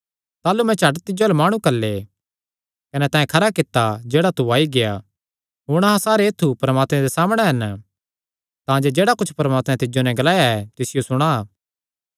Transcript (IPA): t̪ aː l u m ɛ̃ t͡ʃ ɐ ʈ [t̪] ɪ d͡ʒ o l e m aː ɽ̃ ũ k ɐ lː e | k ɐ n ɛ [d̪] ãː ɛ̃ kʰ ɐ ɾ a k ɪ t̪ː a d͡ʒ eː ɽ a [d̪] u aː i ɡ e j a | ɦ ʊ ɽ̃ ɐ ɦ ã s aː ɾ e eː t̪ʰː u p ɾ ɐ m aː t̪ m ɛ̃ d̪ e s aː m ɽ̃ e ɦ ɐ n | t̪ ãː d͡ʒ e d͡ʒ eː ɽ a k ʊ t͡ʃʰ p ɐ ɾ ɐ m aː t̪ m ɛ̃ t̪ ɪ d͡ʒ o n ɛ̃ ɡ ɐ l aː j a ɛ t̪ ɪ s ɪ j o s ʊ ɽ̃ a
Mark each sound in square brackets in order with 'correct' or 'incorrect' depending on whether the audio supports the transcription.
correct, incorrect, incorrect

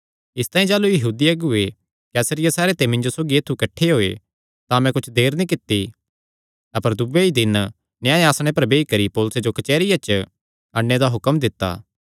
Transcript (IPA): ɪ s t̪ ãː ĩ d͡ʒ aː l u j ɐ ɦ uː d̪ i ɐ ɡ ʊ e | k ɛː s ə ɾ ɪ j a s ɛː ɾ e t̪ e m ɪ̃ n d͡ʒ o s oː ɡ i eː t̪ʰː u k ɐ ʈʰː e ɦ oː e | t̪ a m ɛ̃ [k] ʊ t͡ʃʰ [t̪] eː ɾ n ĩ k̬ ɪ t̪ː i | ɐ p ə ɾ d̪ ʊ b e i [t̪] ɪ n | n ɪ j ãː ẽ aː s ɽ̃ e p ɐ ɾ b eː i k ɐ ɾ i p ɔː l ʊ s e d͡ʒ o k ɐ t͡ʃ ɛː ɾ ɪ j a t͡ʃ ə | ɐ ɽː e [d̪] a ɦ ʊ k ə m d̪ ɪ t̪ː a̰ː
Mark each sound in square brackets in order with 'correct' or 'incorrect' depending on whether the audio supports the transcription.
correct, incorrect, incorrect, correct

